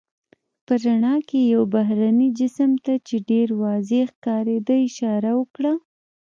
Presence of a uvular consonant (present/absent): absent